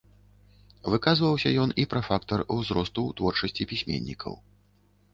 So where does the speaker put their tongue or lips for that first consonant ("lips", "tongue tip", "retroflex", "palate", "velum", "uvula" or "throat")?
lips